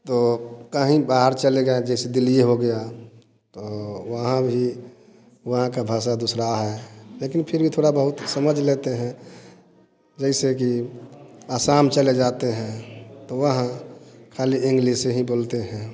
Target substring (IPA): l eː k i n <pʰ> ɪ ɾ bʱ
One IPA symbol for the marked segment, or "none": pʰ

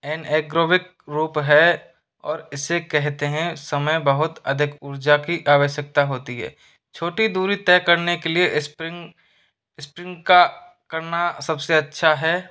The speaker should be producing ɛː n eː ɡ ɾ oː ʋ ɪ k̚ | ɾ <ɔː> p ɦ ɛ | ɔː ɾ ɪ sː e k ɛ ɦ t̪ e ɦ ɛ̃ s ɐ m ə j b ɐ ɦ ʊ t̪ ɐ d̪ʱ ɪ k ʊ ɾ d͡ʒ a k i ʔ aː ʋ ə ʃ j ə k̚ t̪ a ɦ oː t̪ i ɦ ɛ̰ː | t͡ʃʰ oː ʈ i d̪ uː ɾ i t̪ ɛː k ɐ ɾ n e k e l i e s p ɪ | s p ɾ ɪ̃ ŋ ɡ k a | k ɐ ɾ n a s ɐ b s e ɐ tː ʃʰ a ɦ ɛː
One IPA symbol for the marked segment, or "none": uː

